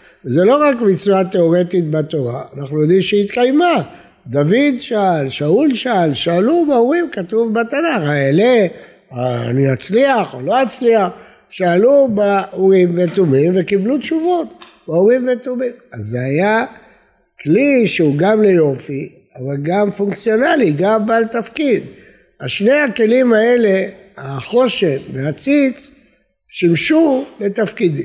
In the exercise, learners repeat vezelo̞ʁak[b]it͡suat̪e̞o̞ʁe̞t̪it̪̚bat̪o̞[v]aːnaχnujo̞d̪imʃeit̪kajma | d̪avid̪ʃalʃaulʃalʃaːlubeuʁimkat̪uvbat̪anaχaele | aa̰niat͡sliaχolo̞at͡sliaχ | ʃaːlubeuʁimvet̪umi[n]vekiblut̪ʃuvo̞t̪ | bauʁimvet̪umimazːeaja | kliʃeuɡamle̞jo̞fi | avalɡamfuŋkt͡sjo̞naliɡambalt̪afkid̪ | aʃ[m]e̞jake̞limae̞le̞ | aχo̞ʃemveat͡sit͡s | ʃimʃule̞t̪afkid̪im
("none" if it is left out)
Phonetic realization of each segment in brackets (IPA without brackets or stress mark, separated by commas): m, ʁ, m, n